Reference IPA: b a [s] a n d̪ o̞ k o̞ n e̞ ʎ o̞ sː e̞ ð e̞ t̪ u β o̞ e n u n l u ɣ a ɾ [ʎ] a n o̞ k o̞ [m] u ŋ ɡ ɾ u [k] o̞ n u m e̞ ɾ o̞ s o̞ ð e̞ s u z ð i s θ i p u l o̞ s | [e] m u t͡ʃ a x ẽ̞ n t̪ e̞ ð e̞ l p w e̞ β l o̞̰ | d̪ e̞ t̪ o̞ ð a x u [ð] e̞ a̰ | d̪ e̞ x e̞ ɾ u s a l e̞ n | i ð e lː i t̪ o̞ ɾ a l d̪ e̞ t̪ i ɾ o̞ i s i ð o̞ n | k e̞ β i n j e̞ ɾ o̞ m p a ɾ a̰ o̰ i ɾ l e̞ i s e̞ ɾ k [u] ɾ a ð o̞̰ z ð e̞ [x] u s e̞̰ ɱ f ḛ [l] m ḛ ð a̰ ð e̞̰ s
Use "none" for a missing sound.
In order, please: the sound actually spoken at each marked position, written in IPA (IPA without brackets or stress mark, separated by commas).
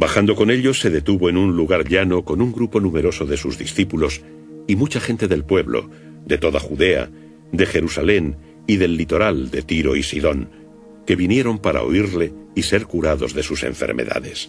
x, ʎ, n, p, i, ð, u, s, ɾ